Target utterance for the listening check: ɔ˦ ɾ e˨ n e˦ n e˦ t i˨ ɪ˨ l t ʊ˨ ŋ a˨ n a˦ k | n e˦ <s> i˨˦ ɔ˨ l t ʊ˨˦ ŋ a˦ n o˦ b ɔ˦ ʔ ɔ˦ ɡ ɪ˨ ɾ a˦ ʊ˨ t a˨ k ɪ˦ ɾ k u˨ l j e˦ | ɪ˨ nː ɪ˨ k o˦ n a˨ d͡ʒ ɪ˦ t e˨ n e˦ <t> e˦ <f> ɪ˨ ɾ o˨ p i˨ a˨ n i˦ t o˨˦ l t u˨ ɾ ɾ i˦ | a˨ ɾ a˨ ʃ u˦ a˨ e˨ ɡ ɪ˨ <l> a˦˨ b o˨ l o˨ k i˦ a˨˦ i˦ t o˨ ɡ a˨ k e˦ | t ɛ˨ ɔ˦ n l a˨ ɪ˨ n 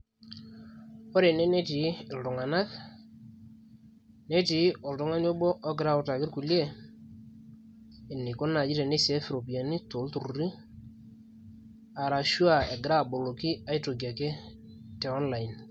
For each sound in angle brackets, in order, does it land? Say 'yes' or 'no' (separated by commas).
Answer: no, no, yes, no